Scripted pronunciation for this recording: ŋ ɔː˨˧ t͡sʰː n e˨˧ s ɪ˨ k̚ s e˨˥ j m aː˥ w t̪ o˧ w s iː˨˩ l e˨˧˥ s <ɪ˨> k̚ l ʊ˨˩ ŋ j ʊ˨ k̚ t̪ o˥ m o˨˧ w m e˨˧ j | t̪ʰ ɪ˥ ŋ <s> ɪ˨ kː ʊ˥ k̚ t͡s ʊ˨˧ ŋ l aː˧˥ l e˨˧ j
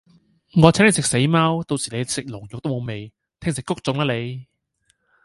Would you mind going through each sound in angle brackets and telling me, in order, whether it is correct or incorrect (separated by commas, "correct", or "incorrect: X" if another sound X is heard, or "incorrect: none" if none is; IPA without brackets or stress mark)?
correct, correct